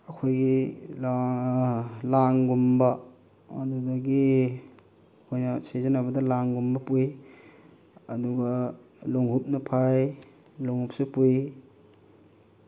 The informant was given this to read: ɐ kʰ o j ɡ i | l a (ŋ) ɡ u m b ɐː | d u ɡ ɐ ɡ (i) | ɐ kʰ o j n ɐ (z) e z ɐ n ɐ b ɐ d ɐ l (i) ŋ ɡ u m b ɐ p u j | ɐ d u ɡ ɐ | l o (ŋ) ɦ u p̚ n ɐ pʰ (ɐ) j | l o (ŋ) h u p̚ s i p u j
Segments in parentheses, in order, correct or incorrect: correct, correct, incorrect, incorrect, correct, incorrect, correct

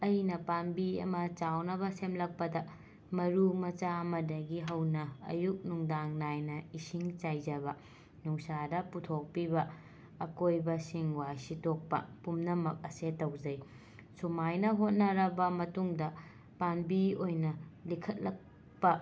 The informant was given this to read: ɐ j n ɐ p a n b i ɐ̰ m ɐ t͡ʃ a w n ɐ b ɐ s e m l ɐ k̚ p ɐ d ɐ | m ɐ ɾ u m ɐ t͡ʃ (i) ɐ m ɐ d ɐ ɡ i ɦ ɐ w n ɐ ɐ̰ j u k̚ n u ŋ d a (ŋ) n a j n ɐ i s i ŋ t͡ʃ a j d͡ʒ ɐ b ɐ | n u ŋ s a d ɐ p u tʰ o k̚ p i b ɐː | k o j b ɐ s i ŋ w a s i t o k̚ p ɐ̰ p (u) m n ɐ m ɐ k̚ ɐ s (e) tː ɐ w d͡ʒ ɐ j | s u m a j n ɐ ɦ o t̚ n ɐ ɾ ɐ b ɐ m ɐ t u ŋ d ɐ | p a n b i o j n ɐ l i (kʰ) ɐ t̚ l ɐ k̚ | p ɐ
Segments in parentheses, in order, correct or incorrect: incorrect, correct, correct, correct, correct

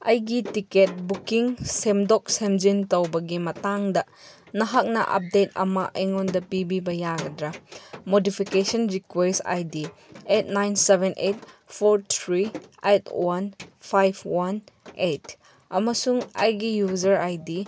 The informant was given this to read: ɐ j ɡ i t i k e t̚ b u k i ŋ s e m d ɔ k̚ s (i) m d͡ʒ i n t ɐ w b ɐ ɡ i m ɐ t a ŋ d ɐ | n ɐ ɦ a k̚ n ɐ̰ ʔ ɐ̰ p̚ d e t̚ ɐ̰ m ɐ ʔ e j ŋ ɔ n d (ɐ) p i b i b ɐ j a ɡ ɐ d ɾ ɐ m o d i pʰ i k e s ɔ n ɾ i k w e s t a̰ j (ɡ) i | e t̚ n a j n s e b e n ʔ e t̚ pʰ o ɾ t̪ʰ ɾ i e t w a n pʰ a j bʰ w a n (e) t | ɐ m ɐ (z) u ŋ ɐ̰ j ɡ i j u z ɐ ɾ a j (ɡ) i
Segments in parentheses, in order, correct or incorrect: incorrect, correct, incorrect, correct, incorrect, incorrect

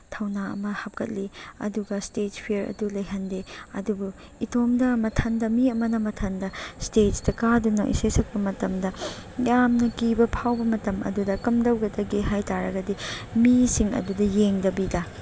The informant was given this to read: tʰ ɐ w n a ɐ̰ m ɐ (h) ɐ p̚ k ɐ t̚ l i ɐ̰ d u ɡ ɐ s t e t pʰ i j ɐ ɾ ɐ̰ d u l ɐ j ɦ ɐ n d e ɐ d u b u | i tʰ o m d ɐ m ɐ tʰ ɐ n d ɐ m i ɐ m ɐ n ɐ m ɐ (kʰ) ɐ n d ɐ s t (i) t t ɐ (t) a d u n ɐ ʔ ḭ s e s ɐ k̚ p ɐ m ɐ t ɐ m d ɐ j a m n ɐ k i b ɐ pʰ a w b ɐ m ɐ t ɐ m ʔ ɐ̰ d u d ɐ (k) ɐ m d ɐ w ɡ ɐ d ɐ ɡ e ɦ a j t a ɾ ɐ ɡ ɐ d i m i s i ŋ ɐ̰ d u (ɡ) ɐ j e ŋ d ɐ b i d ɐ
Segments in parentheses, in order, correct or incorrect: correct, incorrect, incorrect, incorrect, correct, incorrect

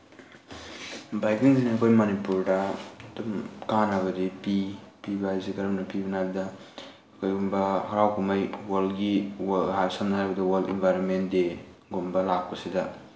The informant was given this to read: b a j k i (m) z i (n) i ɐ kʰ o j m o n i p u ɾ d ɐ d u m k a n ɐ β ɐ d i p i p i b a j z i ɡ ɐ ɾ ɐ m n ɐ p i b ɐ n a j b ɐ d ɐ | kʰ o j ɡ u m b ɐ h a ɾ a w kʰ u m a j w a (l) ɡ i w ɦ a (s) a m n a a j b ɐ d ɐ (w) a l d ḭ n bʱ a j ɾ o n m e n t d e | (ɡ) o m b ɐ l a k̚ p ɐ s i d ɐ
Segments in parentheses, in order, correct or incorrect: incorrect, correct, correct, correct, correct, correct

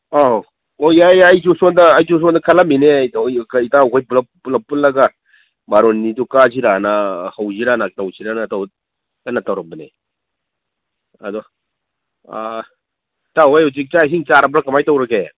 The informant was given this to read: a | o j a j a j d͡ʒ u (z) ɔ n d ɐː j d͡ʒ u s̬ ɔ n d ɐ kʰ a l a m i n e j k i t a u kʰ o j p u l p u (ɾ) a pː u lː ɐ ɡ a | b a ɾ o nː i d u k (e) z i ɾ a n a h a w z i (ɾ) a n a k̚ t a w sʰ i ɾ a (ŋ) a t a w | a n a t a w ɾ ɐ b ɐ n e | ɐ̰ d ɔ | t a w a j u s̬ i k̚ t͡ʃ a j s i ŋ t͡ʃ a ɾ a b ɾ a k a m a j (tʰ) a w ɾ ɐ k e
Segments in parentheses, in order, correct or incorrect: incorrect, incorrect, incorrect, correct, incorrect, incorrect

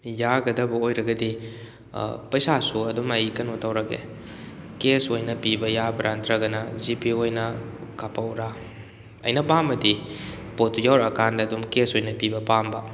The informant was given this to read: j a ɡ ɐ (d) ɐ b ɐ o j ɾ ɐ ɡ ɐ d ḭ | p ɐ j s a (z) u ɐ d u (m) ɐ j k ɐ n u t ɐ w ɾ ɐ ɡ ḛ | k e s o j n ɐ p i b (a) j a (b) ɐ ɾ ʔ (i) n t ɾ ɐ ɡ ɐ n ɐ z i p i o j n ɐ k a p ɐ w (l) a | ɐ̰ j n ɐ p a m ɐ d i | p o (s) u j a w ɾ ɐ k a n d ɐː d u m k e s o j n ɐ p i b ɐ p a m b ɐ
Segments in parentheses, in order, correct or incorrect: correct, incorrect, correct, incorrect, correct, incorrect, incorrect, incorrect

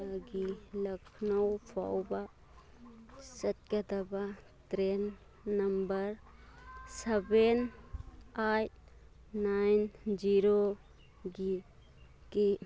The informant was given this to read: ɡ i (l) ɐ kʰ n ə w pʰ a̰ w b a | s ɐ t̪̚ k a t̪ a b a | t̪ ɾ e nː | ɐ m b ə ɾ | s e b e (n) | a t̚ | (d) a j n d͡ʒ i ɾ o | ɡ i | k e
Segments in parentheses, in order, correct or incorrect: correct, correct, incorrect

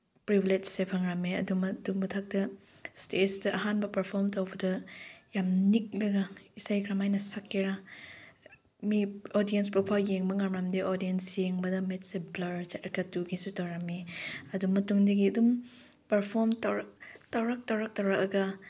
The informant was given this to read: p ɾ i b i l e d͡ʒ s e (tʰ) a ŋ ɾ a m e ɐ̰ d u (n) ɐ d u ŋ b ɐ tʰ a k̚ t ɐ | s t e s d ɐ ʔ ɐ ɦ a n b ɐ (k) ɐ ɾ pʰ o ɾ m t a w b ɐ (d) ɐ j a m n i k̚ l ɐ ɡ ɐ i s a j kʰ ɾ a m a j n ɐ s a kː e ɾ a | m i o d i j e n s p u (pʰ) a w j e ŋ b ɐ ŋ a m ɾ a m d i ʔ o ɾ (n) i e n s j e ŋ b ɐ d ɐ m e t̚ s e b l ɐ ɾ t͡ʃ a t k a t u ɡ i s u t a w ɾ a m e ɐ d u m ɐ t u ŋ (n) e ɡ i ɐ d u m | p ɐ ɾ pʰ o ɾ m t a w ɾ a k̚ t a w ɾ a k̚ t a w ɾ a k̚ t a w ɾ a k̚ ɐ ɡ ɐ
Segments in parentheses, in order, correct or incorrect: incorrect, incorrect, incorrect, correct, correct, incorrect, incorrect

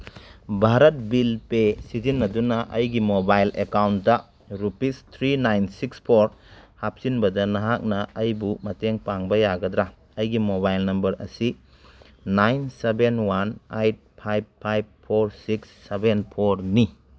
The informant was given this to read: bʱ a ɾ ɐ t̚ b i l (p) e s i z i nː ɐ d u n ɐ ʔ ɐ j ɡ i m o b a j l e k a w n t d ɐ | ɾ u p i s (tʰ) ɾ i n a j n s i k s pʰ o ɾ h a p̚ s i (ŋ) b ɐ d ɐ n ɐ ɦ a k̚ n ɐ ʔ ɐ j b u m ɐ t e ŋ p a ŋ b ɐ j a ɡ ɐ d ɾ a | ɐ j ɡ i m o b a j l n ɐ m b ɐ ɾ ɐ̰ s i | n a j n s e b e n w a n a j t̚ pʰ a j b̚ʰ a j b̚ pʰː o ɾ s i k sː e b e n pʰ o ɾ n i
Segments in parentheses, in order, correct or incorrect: correct, correct, incorrect

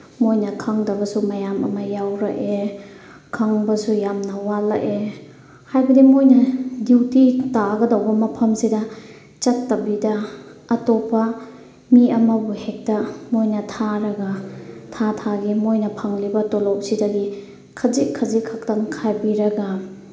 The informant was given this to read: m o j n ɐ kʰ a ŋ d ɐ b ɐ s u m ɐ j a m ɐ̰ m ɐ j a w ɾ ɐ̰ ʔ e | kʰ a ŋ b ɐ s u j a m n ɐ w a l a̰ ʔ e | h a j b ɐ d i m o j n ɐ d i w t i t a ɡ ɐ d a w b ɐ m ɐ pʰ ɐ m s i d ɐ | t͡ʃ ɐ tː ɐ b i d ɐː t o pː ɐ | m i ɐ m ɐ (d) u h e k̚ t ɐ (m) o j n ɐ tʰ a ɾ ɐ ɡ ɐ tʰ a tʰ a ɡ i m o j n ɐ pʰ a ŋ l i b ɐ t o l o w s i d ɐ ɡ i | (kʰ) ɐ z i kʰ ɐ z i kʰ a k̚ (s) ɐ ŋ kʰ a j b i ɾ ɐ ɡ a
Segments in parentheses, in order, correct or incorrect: incorrect, correct, correct, incorrect

